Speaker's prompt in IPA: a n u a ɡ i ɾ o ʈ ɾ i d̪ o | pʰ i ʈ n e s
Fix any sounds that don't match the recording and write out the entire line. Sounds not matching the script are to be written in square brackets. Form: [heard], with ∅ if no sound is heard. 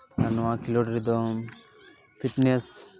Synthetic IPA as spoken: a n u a [k] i [l] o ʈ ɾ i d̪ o | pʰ i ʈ n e s